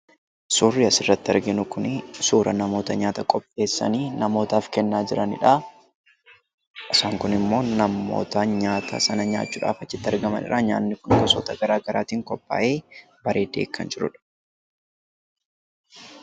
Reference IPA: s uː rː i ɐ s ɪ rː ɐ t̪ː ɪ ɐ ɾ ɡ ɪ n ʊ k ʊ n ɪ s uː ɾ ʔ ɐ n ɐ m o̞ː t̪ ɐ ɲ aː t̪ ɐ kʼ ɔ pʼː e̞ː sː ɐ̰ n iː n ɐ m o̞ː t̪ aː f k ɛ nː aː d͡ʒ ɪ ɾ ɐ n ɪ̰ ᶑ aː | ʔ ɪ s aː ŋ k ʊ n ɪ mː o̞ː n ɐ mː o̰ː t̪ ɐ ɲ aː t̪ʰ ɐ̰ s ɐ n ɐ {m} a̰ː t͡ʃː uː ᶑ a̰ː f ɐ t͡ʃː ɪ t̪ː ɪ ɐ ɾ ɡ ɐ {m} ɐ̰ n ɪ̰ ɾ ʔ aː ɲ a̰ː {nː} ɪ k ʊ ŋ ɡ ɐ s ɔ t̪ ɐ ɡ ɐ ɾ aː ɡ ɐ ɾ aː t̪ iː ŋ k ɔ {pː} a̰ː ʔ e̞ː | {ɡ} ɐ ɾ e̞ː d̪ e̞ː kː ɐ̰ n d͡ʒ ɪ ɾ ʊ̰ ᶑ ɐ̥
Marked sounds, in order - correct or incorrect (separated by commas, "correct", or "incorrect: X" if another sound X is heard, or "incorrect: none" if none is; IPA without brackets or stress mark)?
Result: incorrect: ɲ, correct, correct, correct, incorrect: b